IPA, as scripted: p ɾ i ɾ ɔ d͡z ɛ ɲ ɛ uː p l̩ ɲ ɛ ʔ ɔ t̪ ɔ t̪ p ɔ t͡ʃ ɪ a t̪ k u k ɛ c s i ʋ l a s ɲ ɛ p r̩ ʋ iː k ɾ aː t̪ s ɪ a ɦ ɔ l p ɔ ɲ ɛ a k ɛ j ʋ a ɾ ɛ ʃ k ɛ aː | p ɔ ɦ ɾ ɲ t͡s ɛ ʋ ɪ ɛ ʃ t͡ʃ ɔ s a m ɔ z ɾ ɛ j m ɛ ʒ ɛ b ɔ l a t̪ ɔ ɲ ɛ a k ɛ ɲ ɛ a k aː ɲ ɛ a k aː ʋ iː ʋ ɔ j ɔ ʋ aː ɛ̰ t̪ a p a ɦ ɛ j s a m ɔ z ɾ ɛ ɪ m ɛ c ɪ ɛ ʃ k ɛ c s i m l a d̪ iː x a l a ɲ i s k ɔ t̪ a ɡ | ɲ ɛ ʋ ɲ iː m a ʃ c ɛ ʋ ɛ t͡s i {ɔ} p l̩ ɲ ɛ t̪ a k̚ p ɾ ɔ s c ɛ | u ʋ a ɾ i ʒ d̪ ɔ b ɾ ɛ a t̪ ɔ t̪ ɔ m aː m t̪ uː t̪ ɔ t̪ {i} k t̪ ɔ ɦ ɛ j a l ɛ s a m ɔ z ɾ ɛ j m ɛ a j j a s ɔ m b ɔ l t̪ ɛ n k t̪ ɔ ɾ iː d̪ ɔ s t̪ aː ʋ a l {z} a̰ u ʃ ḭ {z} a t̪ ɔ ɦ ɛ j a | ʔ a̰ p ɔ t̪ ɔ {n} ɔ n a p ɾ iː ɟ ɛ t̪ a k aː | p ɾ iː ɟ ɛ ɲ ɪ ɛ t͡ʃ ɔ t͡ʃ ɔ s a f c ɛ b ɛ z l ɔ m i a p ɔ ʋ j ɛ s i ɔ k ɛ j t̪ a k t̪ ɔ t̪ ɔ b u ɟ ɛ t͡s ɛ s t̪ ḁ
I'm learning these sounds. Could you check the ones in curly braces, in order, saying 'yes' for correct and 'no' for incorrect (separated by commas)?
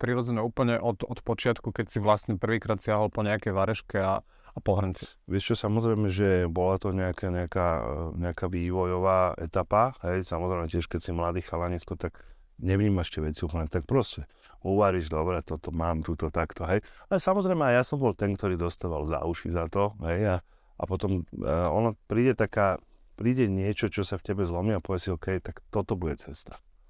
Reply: no, no, yes, yes, no